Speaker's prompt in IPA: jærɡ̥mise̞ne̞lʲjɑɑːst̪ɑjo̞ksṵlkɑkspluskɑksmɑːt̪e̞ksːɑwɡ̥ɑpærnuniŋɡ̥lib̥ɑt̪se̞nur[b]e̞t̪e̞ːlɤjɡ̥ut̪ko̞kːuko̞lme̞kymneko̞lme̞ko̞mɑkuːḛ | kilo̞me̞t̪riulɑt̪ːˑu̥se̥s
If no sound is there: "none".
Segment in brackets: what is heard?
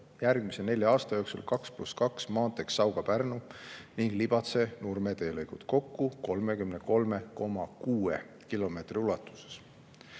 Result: m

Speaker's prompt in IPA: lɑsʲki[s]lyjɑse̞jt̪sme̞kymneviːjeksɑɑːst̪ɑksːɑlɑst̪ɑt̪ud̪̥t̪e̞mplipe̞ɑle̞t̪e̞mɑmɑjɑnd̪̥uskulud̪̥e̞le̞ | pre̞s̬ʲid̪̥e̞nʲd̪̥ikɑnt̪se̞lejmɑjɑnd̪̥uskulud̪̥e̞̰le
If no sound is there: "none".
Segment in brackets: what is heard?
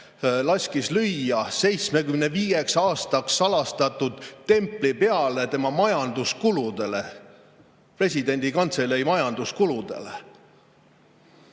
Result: s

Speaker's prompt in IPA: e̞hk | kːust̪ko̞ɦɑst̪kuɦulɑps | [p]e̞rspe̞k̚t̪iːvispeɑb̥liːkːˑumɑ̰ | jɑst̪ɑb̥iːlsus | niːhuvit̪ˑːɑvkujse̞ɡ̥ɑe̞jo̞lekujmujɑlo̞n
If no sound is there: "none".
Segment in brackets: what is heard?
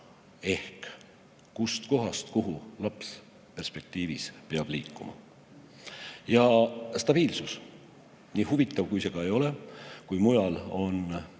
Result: p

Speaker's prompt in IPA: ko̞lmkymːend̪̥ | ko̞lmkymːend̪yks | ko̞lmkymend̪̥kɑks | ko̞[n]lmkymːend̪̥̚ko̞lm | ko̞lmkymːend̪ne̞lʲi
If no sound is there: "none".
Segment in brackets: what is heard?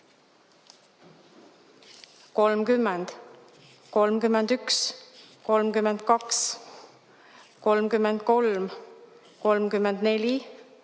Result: none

